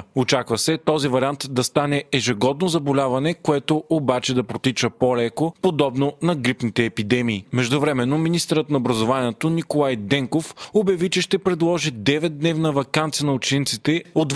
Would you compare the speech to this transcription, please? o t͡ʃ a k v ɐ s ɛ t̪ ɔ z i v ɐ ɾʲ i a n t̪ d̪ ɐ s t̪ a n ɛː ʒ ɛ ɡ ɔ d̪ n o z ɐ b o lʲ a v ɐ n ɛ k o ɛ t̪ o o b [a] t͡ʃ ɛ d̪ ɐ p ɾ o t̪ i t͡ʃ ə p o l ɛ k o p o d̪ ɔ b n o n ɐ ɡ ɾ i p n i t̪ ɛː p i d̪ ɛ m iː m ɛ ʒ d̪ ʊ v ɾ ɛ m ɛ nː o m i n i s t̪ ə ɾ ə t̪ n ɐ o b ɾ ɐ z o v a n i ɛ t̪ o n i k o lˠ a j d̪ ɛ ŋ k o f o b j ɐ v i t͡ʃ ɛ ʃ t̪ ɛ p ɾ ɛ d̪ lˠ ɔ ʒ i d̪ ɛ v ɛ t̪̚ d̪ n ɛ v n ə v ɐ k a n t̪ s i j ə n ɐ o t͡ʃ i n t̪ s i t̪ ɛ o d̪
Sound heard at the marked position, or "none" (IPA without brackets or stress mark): a